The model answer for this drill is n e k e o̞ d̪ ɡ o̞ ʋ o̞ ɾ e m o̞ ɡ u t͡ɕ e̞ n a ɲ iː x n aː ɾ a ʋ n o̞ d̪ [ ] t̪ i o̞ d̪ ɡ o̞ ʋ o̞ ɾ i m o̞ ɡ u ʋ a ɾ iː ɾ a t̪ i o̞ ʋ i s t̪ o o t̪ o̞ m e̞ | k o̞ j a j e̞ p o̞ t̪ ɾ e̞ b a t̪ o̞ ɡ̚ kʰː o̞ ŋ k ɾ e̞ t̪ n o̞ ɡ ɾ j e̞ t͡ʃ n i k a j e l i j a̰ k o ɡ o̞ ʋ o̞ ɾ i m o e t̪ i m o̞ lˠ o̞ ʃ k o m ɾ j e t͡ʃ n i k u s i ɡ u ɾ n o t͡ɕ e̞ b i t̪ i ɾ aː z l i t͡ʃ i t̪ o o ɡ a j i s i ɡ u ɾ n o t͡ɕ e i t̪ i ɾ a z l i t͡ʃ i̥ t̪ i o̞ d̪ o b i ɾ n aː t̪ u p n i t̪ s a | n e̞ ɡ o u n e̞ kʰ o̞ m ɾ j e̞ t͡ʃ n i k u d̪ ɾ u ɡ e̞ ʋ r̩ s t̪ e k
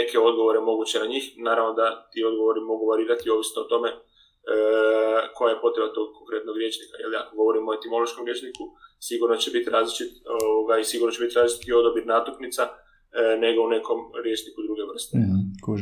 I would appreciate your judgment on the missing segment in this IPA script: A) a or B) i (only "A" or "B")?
A